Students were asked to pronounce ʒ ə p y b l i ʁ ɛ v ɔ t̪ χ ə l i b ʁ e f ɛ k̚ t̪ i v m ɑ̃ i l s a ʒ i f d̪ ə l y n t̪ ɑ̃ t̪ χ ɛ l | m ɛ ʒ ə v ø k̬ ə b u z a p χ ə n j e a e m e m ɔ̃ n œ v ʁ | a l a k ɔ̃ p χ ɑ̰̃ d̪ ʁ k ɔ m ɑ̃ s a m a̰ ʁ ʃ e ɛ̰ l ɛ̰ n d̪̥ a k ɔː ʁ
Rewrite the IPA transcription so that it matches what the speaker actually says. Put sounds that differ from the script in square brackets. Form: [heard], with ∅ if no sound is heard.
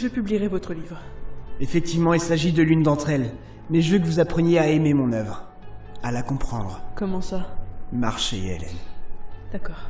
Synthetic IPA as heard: ʒ ə p y b l i ʁ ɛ v ɔ t̪ χ ə l i [v] ʁ e f ɛ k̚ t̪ i v m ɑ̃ i l s a ʒ i [∅] d̪ ə l y n [d̪] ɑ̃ t̪ χ ɛ l | m ɛ ʒ ə v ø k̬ ə [v] u z a p χ ə n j e a e m e m ɔ̃ n œ v ʁ | a l a k ɔ̃ p χ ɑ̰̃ d̪ ʁ k ɔ m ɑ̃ s a m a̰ ʁ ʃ e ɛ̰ l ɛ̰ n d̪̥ a k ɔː ʁ